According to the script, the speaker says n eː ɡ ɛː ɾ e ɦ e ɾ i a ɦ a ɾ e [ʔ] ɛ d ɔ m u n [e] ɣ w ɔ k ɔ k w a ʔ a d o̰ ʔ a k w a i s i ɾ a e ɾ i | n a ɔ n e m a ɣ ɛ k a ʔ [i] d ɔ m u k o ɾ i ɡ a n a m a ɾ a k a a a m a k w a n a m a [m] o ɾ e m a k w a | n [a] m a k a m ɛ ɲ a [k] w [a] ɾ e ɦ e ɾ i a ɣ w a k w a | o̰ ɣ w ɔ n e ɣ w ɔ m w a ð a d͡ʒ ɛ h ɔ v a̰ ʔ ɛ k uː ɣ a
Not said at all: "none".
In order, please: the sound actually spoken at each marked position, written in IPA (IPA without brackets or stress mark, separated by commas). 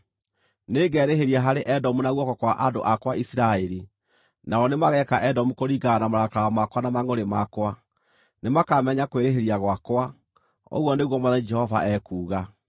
ʔ, a, ɛ, ŋ, e, k, e